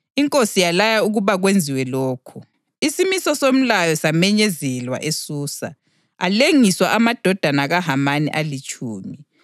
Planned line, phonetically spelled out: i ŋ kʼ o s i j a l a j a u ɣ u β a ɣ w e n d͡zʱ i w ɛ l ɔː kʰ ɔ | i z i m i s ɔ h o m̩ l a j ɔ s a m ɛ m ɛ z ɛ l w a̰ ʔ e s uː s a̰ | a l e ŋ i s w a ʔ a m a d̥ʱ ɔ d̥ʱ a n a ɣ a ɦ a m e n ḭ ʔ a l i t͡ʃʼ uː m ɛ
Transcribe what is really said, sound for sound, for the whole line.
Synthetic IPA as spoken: i ŋ kʼ o s i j a l a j a u ɣ u β a ɣ w e n d͡zʱ i w ɛ l ɔː kʰ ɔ | i s i m i s ɔ s o m̩ l a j ɔ s a m ɛ ɲ ɛ z ɛ l w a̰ ʔ e s uː s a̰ | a l e ŋ i s w a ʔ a m a d̥ʱ ɔ d̥ʱ a n a ɣ a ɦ a m a n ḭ ʔ a l i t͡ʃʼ uː m i

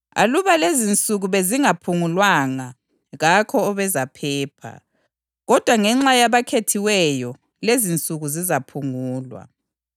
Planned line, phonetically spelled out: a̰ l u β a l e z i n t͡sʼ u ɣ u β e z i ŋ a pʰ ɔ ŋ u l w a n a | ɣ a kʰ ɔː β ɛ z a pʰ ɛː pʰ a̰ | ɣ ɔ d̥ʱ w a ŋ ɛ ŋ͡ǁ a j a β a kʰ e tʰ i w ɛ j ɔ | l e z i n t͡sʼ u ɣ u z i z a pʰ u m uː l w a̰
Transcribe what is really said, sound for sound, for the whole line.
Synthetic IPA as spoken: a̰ l u β a l e z i n t͡sʼ u ɣ u β e z i ŋ a pʰ u ŋ u l w a ŋ a | ɣ a kʰ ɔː β ɛ z a pʰ ɛː pʰ a̰ | ɣ ɔ d̥ʱ w a ŋ ɛ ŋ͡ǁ a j a β a kʰ e tʰ i w ɛ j ɔ | l e z i n t͡sʼ u ɣ u z i z a pʰ u ŋ uː l w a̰

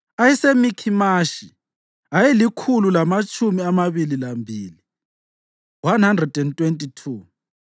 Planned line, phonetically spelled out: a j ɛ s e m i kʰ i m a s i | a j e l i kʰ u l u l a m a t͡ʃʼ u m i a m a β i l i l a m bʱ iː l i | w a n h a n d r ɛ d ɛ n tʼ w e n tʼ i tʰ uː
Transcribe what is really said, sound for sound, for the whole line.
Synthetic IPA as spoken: a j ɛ s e m i kʰ i m a ʃ i | a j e l i kʰ u l u l a m a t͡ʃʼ u m i a m a β i l i l a m bʱ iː l i | w a n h a n d r ɛ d ɛ n tʼ w e n tʼ i tʰ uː

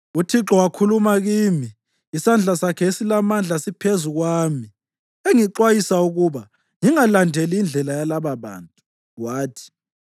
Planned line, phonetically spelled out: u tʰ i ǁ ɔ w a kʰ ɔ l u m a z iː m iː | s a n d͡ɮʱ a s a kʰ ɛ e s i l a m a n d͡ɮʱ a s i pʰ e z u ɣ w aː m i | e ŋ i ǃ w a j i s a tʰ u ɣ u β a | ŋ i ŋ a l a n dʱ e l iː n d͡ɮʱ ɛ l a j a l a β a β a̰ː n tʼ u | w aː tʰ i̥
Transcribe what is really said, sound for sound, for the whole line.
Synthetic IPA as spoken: u tʰ i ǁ ɔ w a kʰ u l u m a ɣ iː m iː | s a n d͡ɮʱ a s a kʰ ɛ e s i l a m a n d͡ɮʱ a s i pʰ e z u ɣ w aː m i | e ŋ i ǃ w a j i s a u ɣ u β a | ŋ i ŋ a l a n dʱ e l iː n d͡ɮʱ ɛ l a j a l a β a β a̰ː n tʼ u | w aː tʰ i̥

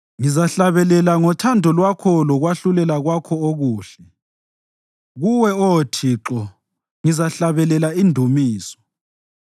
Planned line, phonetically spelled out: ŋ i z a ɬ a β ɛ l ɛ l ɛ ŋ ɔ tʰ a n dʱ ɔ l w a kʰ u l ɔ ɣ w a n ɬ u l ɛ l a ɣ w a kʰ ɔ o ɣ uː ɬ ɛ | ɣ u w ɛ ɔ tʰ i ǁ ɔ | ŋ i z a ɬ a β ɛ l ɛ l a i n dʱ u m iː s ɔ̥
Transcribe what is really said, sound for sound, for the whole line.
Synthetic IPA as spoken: ŋ i z a ɬ a β ɛ l ɛ l a ŋ ɔ tʰ a n dʱ ɔ l w a kʰ ɔ l ɔ ɣ w a ɬ u l ɛ l a ɣ w a kʰ ɔ o ɣ uː ɬ ɛ | ɣ u w ɛ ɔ tʰ i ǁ ɔ | ŋ i z a ɬ a β ɛ l ɛ l a i n dʱ u m iː s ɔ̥

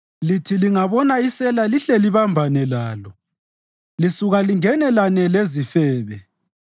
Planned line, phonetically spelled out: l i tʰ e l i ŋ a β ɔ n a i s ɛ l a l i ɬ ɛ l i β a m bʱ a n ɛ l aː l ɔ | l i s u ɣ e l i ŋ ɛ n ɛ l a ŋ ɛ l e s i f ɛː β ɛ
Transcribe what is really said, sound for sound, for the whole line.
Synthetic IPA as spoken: l i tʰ i l i ŋ a β ɔ n a i s ɛ l a l i ɬ ɛ l i β a m bʱ a n ɛ l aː l ɔ | l i s u ɣ a l i ŋ ɛ n ɛ l a n ɛ l e z i f ɛː β ɛ

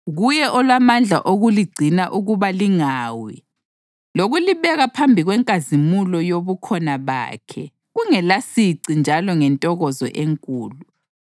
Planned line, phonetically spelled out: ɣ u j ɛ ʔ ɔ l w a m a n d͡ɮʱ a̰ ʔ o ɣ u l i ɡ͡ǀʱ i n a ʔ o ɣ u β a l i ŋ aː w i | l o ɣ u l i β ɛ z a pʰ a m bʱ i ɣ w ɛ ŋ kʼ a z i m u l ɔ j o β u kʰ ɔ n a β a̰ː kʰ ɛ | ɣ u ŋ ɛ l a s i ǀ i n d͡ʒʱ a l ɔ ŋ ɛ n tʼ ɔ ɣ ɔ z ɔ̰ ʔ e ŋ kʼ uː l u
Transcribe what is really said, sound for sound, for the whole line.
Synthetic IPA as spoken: ɣ u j ɛ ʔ ɔ l w a m a n d͡ɮʱ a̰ ʔ o ɣ u l i ɡ͡ǀʱ i n a ʔ u ɣ u β a l i ŋ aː w i | l o ɣ u l i β ɛ ɣ a pʰ a m bʱ i ɣ w ɛ ŋ kʼ a z i m u l ɔ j o β u kʰ ɔ n a β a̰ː kʰ ɛ | ɣ u ŋ ɛ l a s i ǀ i n d͡ʒʱ a l ɔ ŋ ɛ n tʼ ɔ ɣ ɔ z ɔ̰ ʔ e ŋ kʼ uː l u

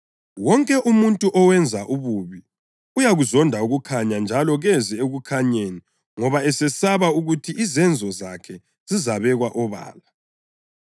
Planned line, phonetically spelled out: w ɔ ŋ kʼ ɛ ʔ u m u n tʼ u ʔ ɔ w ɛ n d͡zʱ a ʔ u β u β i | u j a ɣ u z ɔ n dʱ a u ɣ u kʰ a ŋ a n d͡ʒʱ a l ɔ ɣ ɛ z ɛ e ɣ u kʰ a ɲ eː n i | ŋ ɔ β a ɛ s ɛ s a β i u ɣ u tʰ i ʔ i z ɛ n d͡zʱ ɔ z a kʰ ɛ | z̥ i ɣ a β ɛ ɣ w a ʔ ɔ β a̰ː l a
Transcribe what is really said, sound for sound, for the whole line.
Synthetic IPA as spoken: w ɔ ŋ kʼ ɛ ʔ u m u n tʼ u ʔ ɔ w ɛ n d͡zʱ a ʔ u β u β i | u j a ɣ u z ɔ n dʱ a u ɣ u kʰ a ɲ a n d͡ʒʱ a l ɔ ɣ ɛ z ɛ e ɣ u kʰ a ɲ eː n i | ŋ ɔ β a ɛ s ɛ s a β a u ɣ u tʰ i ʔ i z ɛ n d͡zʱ ɔ z a kʰ ɛ | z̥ i z a β ɛ ɣ w a ʔ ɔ β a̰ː l a

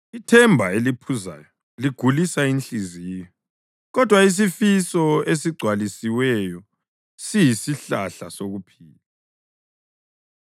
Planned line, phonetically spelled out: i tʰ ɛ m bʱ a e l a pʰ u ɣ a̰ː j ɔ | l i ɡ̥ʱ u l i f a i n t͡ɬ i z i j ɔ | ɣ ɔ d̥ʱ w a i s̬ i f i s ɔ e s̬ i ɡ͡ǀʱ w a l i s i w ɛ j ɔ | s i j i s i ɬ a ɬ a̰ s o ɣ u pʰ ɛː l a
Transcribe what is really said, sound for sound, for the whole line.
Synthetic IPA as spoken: i tʰ ɛ m bʱ a e l i pʰ u z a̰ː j ɔ | l i ɡ̥ʱ u l i s a i n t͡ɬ i z i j ɔ | ɣ ɔ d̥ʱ w a i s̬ i f i s ɔ e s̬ i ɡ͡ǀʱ w a l i s i w ɛ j ɔ | s i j i s i ɬ a ɬ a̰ s o ɣ u pʰ iː l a

